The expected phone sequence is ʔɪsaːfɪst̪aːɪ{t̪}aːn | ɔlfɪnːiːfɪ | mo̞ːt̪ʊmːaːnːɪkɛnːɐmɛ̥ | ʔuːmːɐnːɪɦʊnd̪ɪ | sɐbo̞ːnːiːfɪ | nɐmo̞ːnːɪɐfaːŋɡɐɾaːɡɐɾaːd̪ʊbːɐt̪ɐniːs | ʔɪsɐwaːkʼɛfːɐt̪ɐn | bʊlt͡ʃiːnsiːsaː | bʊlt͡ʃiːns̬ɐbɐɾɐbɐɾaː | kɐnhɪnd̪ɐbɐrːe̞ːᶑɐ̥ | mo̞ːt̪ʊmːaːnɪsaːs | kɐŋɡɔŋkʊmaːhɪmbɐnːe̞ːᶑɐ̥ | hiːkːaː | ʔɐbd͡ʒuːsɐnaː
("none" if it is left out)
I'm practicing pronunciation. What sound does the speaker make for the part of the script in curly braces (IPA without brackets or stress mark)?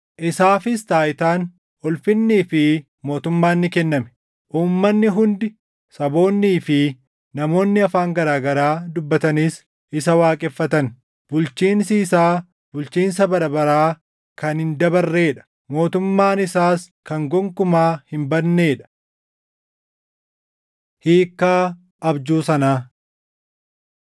t̪